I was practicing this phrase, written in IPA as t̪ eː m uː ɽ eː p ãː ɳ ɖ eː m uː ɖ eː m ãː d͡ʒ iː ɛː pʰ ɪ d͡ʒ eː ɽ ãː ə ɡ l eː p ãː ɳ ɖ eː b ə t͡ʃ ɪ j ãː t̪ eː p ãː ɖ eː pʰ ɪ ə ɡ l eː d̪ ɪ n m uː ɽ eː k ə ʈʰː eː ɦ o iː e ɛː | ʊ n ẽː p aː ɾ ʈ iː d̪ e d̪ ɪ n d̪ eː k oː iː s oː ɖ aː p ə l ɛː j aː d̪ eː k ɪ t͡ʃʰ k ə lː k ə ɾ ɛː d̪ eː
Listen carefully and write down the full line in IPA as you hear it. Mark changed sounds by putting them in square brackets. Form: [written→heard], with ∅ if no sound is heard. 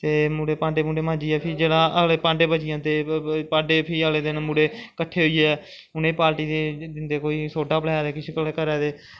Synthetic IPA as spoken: t̪ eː m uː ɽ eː p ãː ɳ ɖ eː m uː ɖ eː m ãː d͡ʒ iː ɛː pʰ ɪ d͡ʒ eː ɽ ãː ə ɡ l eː p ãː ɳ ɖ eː b ə t͡ʃ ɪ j ãː t̪ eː p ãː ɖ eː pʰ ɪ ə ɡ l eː d̪ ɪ n m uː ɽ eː k ə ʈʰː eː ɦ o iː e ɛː | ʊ n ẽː p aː ɾ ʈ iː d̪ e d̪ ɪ n d̪ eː k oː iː s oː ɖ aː p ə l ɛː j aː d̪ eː k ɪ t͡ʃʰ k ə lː k ə ɾ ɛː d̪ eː